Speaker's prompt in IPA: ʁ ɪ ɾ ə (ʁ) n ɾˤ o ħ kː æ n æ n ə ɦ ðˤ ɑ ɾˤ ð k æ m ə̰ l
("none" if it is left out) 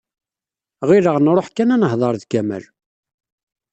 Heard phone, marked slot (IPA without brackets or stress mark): ʁ